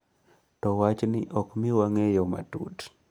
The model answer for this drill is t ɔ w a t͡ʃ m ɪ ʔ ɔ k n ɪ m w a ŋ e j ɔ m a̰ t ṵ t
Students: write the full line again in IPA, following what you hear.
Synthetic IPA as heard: t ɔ w a t͡ʃ n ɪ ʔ ɔ k m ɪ w a ŋ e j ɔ m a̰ t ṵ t